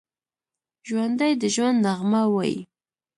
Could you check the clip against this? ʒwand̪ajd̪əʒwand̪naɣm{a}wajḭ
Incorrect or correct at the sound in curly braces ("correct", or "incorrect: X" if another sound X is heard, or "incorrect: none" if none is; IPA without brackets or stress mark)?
correct